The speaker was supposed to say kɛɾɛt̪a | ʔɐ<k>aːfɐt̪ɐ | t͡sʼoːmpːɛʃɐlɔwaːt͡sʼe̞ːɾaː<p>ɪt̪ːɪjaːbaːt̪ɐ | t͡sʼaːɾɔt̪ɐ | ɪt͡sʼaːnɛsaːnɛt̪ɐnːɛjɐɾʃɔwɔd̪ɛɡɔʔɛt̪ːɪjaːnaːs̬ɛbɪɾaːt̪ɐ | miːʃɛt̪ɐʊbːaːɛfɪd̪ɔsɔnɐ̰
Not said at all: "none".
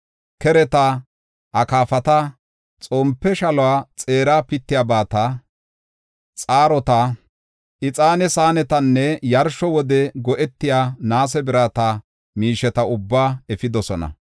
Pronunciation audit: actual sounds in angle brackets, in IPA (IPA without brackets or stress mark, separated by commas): k, p